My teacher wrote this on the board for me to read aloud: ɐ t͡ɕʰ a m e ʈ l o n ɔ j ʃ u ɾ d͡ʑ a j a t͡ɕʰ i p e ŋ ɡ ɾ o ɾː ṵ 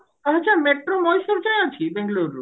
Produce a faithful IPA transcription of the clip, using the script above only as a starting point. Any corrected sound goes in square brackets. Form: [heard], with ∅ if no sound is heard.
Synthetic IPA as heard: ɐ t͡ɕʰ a m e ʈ [ɾ] o [m] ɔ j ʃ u ɾ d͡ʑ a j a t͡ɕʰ i [b] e ŋ ɡ [l] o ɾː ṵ